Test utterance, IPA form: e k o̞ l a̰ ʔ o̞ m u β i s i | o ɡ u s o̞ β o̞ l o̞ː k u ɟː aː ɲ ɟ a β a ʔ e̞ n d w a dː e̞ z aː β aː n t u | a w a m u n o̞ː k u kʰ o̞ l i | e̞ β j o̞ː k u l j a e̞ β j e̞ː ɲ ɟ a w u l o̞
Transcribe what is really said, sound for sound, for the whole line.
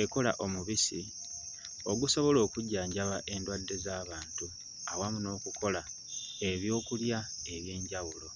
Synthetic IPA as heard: e k o̞ l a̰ ʔ o̞ m u β i s i | o ɡ u s o̞ β o̞ l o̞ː k u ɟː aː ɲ ɟ a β a ʔ e̞ n d w a dː e̞ z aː β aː n t u | a w a m u n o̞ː k u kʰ o̞ l a | e̞ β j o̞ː k u l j a e̞ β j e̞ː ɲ ɟ a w u l o̞